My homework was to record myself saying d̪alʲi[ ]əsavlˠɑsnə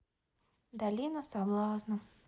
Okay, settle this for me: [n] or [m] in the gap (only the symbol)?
n